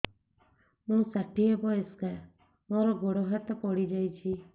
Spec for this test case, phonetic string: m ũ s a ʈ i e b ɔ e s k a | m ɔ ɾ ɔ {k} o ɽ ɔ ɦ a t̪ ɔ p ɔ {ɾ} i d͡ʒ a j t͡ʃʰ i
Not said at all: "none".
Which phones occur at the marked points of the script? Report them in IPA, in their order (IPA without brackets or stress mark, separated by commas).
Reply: ɡ, ɽ